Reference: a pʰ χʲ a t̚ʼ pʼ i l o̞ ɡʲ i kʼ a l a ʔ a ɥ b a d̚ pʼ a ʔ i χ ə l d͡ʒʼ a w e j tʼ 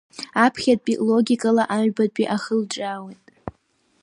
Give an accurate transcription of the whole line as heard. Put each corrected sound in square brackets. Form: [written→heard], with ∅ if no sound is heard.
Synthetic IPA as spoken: a pʰ χʲ a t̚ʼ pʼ i l o̞ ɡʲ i kʼ a l a ʔ a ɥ b a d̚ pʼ [a→i] ʔ [i→a] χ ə l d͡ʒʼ a w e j tʼ